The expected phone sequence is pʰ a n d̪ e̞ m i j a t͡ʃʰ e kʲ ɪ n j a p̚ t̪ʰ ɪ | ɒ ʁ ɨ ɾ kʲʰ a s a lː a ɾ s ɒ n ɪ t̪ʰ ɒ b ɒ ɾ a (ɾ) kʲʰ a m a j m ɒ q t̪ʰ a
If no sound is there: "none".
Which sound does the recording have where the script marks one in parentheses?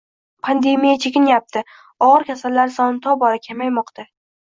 none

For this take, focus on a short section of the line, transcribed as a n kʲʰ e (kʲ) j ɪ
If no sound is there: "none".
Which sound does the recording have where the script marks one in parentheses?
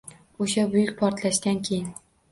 none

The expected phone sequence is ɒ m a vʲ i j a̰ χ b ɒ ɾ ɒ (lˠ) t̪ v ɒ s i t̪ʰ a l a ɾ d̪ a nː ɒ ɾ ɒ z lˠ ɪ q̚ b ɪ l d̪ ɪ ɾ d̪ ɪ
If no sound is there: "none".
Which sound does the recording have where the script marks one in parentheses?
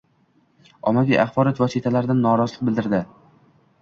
none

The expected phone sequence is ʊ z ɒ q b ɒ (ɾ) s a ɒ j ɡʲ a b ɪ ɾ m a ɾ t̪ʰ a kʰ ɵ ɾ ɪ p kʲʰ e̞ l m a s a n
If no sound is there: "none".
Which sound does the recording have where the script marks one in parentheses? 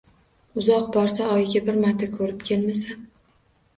ɾ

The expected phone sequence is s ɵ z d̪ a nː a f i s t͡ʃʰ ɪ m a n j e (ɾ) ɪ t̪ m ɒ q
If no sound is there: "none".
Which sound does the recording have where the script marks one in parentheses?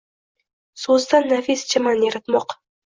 ɾ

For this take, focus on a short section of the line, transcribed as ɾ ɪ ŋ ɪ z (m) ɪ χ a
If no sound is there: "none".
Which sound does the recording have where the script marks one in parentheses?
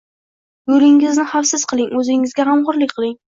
n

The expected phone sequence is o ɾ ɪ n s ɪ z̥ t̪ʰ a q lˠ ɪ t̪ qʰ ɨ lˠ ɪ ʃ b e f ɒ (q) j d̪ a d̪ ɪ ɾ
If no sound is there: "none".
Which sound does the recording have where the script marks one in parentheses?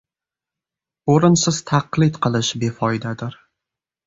none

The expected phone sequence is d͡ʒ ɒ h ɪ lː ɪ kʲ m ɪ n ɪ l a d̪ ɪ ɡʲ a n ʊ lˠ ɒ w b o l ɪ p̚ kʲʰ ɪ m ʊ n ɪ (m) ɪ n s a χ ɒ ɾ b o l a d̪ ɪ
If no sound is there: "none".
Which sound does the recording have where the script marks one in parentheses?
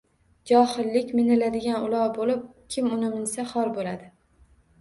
m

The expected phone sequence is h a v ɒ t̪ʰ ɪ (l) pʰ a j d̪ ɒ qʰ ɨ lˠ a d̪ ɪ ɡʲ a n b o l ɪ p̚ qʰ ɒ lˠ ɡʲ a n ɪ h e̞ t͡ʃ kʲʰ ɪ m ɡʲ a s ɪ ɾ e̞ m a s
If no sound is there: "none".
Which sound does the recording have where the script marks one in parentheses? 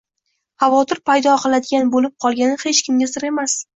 ɾ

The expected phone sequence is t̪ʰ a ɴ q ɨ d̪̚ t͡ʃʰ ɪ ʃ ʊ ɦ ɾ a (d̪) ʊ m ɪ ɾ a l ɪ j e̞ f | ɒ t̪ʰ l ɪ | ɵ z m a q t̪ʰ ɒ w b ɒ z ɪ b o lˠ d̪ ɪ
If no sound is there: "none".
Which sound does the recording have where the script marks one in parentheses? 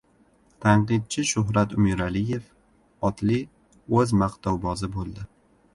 t̪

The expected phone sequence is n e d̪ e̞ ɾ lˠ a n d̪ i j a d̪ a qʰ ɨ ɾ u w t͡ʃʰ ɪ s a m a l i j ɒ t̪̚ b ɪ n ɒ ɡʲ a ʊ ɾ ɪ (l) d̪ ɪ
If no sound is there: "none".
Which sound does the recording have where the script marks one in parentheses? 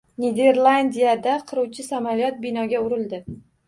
l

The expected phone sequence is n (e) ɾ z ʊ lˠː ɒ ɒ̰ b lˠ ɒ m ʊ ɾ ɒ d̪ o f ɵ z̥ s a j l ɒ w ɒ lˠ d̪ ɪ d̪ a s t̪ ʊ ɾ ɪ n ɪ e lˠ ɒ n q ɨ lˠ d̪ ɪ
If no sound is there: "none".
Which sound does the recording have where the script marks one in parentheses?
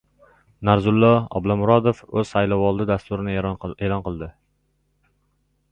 a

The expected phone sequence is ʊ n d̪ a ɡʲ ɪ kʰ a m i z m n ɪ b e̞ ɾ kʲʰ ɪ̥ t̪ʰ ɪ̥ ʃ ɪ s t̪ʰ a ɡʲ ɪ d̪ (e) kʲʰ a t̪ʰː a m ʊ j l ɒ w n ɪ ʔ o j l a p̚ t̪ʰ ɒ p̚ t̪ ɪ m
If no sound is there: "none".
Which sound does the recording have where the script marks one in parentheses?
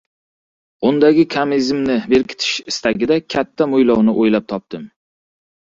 a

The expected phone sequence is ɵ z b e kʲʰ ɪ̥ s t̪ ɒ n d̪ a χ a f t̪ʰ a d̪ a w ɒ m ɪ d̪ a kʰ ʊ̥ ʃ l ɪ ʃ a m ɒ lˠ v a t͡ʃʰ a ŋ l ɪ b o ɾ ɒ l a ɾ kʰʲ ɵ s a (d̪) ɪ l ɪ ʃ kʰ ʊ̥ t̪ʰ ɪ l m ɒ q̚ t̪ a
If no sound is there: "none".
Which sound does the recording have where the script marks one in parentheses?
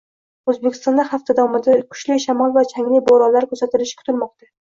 t̪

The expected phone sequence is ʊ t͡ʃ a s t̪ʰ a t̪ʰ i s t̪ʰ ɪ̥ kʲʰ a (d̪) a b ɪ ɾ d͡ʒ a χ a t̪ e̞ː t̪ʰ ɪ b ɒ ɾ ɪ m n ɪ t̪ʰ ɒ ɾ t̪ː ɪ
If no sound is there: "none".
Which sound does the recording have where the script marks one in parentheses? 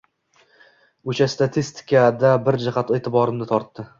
d̪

